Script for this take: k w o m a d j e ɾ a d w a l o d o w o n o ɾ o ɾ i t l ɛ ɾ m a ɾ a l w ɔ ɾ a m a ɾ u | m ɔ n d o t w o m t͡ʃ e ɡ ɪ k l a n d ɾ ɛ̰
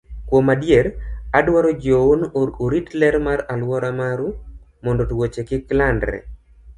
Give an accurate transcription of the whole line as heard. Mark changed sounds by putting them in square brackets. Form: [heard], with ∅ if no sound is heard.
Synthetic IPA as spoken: k w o m a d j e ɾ a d w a [ɾ] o [d͡ʒ] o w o n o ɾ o ɾ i t l ɛ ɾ m a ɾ a l w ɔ ɾ a m a ɾ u | m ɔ n d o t w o [∅] t͡ʃ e [k] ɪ k l a n d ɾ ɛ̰